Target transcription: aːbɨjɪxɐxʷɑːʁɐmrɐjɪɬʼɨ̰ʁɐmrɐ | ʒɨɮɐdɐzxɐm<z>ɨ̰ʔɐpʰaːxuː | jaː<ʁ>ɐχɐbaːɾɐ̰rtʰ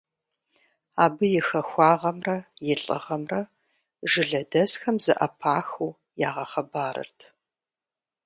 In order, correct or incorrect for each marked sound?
correct, correct

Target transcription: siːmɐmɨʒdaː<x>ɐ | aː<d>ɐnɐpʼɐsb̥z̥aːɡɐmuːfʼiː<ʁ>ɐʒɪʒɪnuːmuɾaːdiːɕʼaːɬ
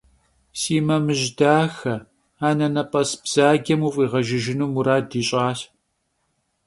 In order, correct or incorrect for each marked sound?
correct, incorrect: n, correct

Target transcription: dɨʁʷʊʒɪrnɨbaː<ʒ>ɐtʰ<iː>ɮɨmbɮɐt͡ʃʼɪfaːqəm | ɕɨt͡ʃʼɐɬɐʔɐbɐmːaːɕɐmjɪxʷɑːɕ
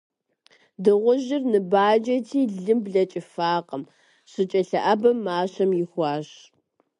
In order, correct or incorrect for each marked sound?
incorrect: d͡ʒ, correct

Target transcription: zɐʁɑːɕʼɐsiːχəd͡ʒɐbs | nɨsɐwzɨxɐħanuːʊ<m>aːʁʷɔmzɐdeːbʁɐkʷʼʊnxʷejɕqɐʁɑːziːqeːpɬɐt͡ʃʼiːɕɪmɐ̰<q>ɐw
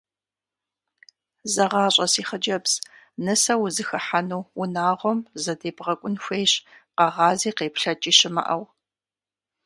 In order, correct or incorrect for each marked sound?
incorrect: n, incorrect: ʔ

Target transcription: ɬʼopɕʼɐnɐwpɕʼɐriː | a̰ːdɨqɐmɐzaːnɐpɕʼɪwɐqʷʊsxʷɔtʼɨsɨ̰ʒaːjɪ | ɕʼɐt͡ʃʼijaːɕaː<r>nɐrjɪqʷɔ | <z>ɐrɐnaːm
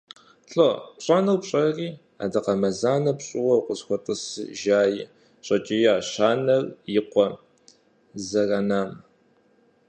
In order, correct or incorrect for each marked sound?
incorrect: none, correct

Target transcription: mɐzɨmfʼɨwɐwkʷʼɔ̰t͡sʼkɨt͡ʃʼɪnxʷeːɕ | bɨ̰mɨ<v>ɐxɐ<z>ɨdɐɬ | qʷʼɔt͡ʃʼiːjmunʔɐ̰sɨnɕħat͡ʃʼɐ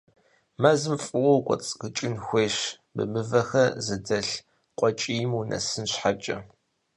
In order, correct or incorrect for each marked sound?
correct, correct

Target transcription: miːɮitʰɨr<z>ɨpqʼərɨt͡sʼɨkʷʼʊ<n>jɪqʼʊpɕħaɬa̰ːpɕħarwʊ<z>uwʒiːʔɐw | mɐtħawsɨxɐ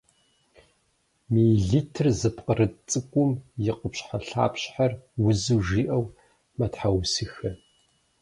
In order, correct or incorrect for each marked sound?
correct, incorrect: m, correct

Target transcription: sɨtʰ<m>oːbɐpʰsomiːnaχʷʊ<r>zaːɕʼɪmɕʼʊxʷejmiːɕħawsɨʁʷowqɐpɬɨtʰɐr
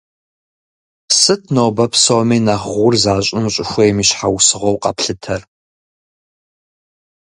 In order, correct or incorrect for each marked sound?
incorrect: n, correct

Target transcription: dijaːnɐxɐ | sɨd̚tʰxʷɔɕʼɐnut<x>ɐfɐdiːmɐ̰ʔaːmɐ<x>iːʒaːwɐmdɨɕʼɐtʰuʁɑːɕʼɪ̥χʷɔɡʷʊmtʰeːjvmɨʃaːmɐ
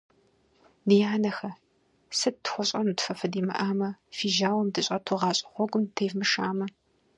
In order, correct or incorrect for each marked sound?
incorrect: f, incorrect: f

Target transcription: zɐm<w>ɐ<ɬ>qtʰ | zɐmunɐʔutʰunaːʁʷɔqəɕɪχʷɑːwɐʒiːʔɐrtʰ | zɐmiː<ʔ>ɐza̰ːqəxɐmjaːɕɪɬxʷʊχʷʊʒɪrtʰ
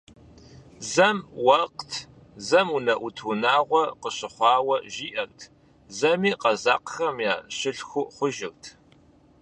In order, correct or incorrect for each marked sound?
correct, incorrect: none, incorrect: q

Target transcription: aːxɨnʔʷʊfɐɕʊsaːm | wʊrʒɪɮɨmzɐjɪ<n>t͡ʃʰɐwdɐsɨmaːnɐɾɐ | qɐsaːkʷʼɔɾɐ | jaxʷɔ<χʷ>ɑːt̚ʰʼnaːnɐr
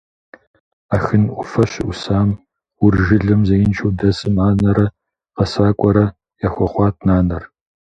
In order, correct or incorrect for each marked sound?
correct, correct

